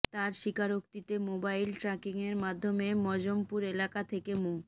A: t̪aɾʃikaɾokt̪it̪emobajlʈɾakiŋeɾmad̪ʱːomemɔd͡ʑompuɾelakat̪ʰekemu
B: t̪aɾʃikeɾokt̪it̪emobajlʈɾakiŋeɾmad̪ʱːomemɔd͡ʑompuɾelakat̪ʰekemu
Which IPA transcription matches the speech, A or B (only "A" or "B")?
A